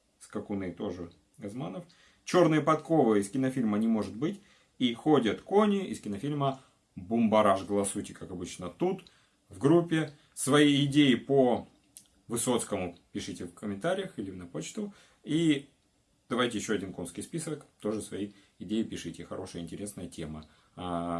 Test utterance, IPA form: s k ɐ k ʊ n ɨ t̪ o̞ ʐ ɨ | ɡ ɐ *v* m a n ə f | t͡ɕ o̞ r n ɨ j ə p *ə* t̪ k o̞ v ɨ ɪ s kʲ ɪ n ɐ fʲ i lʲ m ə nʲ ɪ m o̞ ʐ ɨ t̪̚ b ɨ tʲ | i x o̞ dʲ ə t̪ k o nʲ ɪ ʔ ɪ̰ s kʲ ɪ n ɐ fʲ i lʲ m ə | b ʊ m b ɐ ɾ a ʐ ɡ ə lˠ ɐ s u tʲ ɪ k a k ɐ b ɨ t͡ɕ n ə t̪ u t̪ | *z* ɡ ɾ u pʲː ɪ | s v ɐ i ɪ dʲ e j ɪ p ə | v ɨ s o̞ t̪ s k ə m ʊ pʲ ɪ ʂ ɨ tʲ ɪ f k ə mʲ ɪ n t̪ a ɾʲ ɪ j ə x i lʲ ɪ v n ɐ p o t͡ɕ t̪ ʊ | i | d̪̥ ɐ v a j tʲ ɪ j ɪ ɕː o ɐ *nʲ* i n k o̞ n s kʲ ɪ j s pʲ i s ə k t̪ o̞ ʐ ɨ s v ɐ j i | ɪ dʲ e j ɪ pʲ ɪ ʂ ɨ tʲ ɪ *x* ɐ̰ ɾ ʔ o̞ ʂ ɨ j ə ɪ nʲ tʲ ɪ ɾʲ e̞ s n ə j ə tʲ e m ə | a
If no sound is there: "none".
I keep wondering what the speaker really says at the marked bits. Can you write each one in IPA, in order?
z, ɐ, v, dʲ, x

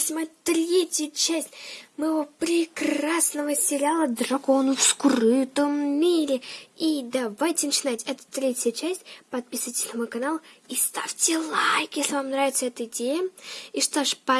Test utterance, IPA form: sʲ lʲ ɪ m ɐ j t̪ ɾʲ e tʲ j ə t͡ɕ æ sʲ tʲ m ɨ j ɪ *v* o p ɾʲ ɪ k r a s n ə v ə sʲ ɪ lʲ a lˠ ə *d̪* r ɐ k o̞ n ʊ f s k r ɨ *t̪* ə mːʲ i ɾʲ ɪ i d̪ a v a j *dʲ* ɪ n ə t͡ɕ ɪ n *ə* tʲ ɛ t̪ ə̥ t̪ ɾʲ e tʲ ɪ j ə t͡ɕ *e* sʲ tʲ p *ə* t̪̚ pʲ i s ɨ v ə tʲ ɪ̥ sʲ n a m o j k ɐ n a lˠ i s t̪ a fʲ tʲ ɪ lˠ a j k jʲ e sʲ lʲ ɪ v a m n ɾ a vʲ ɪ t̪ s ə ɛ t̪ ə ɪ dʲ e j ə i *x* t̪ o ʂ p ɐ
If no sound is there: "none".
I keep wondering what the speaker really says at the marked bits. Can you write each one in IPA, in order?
v, d̪, t̪, tʲ, a, æ, ɐ, ʂ

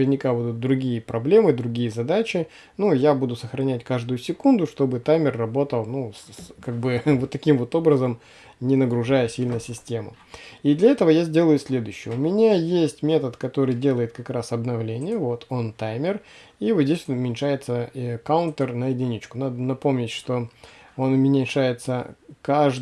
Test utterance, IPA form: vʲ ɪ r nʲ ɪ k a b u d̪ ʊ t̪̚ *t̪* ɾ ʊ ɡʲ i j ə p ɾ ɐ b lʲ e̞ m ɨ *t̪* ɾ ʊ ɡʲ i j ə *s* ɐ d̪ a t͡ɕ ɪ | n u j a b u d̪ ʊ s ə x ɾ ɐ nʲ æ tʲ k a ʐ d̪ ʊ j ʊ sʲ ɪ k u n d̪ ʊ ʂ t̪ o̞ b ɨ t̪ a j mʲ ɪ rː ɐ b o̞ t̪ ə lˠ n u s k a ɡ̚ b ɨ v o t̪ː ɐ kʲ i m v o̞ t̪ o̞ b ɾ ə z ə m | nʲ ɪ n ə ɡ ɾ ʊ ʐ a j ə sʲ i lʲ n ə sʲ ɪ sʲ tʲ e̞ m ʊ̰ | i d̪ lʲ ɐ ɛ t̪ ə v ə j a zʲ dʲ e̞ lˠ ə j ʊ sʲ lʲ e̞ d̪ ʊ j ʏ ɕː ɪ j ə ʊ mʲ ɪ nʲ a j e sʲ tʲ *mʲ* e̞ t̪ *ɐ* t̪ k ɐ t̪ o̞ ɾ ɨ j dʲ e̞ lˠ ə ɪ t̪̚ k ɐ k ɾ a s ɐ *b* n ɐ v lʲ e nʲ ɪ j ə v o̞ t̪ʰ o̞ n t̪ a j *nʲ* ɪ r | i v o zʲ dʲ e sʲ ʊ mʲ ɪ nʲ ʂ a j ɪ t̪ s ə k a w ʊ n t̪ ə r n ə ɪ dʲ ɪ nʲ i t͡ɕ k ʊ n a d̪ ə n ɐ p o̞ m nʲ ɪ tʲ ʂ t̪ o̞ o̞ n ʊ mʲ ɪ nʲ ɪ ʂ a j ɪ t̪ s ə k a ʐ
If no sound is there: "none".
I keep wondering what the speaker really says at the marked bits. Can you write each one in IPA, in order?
d̪, d̪, z, mʲ, ə, b, mʲ

